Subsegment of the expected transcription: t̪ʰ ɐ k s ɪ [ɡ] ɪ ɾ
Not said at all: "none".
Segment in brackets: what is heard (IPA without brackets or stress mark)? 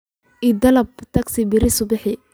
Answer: b